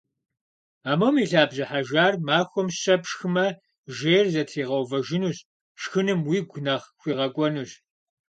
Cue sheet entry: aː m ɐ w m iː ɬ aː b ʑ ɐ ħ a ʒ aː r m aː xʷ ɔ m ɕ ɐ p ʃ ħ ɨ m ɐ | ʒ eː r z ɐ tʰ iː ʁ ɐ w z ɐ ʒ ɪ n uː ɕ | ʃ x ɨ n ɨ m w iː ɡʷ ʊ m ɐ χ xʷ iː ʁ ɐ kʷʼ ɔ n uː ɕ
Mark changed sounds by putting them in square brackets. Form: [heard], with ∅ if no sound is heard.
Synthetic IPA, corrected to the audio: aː m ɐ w m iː ɬ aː b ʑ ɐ ħ a ʒ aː r m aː xʷ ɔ m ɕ ɐ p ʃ [x] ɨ m ɐ | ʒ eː r z ɐ tʰ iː ʁ ɐ w [v] ɐ ʒ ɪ n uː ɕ | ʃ x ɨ n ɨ m w iː ɡʷ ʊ [n] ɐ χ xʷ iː ʁ ɐ kʷʼ ɔ n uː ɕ

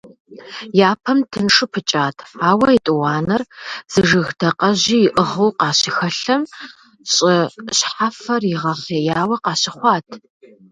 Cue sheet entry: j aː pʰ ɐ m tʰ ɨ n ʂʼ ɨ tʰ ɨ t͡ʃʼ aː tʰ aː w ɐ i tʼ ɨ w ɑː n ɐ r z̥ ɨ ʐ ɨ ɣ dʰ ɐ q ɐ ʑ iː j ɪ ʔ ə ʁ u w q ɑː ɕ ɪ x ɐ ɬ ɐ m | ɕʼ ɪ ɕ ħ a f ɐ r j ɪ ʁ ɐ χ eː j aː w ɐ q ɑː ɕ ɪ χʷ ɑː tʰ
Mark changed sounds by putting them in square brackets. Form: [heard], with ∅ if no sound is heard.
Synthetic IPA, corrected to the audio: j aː pʰ ɐ m tʰ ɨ n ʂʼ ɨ [pʰ] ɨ t͡ʃʼ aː tʰ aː w ɐ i tʼ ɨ w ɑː n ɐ r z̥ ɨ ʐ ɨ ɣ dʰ ɐ q ɐ ʑ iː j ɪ ʔ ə ʁ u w q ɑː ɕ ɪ x ɐ ɬ ɐ m | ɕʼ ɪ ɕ ħ a f ɐ r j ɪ ʁ ɐ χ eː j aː w ɐ q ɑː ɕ ɪ χʷ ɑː tʰ

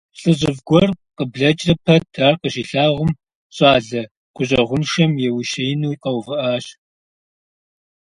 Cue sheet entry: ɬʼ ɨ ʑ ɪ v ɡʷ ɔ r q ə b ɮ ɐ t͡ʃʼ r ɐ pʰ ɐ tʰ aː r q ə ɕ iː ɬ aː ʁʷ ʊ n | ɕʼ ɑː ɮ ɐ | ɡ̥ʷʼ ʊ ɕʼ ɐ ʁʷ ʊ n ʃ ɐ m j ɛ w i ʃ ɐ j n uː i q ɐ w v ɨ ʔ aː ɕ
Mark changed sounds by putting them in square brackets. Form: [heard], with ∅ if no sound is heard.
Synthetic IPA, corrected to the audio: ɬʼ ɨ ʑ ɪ v ɡʷ ɔ r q ə b ɮ ɐ t͡ʃʼ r ɐ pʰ ɐ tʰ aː r q ə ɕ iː ɬ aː ʁʷ ʊ [m] | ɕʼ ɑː ɮ ɐ | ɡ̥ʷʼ ʊ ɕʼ ɐ ʁʷ ʊ n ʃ ɐ m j ɛ w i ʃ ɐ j n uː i q ɐ w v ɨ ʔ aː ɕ

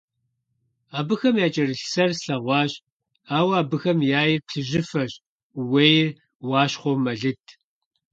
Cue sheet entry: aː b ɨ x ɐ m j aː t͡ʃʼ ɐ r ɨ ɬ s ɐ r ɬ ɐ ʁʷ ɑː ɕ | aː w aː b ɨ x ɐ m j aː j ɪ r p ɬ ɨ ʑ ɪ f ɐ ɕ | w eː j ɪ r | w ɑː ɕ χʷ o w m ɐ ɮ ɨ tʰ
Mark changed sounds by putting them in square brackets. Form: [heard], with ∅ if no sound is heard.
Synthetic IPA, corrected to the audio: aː b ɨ x ɐ m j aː t͡ʃʼ ɐ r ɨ ɬ s ɐ r ɬ ɐ ʁʷ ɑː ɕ | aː w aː b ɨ x ɐ m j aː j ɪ r p ɬ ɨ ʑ ɪ f ɐ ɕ | w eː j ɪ r | w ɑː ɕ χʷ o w m ɐ ɮ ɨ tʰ

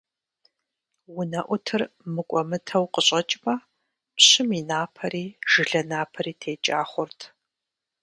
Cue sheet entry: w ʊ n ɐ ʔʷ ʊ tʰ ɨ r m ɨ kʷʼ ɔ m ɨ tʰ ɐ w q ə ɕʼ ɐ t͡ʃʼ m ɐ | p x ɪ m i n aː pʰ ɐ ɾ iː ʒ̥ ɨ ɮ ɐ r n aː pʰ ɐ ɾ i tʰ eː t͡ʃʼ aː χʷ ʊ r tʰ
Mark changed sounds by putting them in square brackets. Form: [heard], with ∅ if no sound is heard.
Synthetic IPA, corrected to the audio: w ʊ n ɐ ʔʷ ʊ tʰ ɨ r m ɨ kʷʼ ɔ m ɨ tʰ ɐ w q ə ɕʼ ɐ t͡ʃʼ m ɐ | p [ɕ] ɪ m i n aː pʰ ɐ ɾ iː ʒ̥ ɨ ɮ ɐ [∅] n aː pʰ ɐ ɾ [iː] tʰ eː t͡ʃʼ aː χʷ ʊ r tʰ

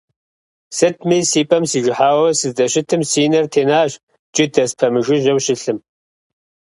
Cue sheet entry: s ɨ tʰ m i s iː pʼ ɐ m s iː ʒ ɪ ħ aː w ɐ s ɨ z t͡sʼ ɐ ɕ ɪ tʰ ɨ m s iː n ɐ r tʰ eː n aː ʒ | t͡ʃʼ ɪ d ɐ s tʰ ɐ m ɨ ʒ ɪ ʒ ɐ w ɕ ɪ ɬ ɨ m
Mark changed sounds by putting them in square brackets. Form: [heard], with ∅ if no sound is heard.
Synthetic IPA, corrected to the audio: s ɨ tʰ m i s iː pʼ ɐ m s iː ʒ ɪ ħ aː w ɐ s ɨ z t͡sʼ ɐ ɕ ɪ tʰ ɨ m s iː n ɐ r tʰ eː n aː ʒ | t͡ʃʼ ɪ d ɐ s [pʰ] ɐ m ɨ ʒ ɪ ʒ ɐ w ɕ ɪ ɬ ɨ m

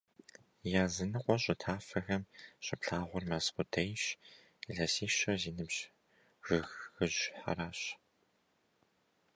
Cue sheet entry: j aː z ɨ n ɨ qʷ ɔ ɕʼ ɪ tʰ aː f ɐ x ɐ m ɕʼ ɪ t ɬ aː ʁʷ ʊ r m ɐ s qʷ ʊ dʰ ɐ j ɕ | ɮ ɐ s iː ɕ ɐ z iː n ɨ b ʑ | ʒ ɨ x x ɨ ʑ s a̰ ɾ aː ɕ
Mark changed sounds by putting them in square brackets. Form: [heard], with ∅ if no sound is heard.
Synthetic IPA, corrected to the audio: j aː z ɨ n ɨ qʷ ɔ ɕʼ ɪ tʰ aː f ɐ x ɐ m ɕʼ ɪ [p] ɬ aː ʁʷ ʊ r m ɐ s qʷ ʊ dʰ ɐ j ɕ | ɮ ɐ s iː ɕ ɐ z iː n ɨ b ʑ | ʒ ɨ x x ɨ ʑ [ħ] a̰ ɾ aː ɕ

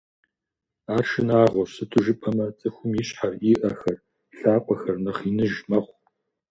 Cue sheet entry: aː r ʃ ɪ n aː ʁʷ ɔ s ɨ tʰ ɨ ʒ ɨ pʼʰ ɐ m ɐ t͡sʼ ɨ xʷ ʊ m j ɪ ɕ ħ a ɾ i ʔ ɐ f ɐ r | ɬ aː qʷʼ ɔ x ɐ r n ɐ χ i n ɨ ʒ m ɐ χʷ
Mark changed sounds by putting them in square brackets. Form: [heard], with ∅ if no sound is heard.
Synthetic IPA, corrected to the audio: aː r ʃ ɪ n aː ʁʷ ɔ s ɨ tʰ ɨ ʒ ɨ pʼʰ ɐ m ɐ t͡sʼ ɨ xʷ ʊ m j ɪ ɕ ħ a [r] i ʔ ɐ [x] ɐ r | ɬ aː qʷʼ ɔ x ɐ r n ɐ χ i n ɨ ʒ m ɐ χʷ

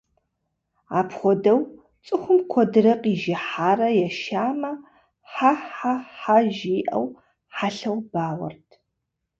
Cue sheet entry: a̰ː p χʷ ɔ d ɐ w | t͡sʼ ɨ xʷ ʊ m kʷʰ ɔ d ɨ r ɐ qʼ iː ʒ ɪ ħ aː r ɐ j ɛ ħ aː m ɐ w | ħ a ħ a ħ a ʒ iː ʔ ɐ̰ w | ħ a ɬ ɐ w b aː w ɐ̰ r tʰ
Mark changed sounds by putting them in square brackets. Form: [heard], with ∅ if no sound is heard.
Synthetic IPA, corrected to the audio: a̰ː p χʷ ɔ d ɐ w | t͡sʼ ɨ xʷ ʊ m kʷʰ ɔ d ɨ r ɐ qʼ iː ʒ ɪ ħ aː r ɐ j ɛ [ʃ] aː m ɐ [∅] | ħ a ħ a ħ a ʒ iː ʔ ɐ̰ w | ħ a ɬ ɐ w b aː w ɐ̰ r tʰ

